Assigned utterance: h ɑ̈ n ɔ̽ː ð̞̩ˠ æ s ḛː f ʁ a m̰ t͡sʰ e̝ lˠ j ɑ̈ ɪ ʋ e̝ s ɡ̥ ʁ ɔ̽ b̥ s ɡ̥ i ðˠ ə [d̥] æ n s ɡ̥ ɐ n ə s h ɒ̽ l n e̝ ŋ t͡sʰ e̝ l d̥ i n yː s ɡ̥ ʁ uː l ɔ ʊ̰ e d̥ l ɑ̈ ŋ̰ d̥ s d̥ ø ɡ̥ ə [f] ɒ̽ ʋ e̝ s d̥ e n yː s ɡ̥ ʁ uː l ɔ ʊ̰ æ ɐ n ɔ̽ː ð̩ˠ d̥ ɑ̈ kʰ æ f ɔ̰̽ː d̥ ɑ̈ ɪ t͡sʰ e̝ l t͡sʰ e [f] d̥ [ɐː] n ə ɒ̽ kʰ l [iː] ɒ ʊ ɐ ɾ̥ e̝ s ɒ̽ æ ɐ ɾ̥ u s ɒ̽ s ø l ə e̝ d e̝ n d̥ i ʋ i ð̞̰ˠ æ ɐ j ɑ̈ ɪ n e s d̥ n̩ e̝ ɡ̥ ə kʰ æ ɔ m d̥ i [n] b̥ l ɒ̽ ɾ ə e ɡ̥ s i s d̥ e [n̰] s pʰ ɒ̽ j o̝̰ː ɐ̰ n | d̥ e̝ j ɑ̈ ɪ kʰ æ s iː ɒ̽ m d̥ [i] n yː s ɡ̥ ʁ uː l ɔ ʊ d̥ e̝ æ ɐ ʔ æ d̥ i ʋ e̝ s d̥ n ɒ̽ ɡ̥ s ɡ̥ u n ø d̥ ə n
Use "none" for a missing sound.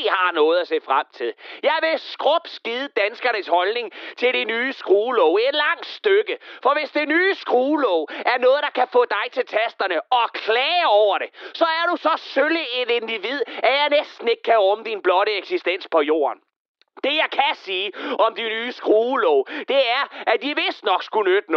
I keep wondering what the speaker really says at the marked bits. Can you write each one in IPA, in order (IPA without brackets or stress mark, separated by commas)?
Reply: d̥, f, s, ɐ, ɛː, n, n̰, i